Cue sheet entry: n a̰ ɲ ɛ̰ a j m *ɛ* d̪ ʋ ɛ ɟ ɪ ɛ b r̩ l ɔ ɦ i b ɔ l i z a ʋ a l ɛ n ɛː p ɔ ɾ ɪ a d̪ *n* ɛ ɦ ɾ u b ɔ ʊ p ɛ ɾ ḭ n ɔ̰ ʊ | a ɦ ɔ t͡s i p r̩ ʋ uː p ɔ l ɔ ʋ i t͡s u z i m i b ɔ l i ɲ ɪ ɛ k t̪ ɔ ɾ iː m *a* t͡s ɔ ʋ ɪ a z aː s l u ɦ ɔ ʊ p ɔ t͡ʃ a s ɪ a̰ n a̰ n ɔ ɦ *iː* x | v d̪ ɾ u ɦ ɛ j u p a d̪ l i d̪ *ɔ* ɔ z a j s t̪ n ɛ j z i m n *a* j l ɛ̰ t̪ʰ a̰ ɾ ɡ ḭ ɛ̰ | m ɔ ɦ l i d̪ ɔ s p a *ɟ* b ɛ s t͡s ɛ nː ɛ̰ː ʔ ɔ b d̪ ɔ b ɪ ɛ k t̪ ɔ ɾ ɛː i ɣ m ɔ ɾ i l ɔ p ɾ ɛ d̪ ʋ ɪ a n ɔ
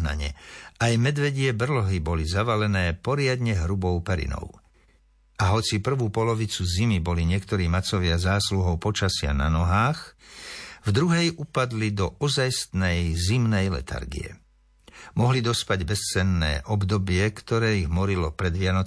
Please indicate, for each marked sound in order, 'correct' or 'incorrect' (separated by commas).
correct, incorrect, correct, incorrect, correct, incorrect, correct